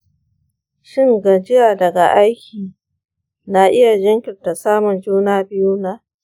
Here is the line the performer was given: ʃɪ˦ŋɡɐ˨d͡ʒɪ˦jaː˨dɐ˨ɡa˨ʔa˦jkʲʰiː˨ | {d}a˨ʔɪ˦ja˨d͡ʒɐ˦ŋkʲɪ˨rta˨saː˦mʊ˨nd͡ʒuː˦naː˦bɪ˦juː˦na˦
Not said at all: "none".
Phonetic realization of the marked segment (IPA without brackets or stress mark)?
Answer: n